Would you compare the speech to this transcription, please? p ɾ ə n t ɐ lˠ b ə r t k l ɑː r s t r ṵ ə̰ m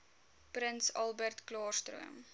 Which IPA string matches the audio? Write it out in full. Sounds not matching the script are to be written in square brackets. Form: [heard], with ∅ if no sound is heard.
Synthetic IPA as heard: p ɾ ə n [s] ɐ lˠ b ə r t k l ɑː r s t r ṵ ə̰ m